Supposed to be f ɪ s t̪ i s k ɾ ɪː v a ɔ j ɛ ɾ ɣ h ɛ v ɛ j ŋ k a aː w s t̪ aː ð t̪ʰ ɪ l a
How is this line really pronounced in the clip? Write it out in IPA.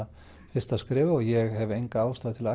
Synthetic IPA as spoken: f ɪ s t̪ a s k ɾ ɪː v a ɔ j ɛ ɣ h ɛ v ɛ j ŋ k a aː w s t̪ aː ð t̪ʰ ɪ l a